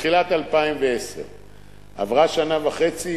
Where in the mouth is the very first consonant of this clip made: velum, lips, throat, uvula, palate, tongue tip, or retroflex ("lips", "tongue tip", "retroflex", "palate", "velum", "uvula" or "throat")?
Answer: uvula